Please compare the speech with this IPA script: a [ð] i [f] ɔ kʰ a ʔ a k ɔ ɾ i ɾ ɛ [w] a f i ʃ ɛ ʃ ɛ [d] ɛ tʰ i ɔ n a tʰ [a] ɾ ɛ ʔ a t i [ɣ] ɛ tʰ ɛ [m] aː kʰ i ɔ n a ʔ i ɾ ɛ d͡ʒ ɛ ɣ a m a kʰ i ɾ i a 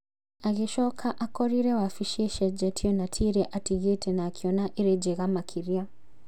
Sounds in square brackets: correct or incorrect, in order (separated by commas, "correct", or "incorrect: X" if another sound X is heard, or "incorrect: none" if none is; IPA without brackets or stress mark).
incorrect: ɣ, incorrect: ʃ, correct, incorrect: d͡ʒ, incorrect: i, correct, incorrect: n